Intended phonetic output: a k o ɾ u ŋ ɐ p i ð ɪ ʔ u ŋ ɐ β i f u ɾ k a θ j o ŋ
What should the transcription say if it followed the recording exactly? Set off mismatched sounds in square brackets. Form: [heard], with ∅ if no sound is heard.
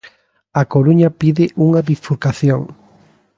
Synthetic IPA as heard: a k o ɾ u [ɲ] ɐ p i ð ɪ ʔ u ŋ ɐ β i f u ɾ k a θ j o ŋ